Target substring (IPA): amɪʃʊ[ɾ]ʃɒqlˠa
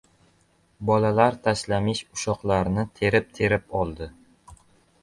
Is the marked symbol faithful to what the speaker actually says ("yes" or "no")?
no